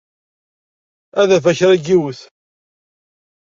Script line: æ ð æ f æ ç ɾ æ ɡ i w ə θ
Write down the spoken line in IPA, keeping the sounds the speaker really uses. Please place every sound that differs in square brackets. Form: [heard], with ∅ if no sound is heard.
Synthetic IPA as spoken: æ ð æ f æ ç ɾ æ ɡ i w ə θ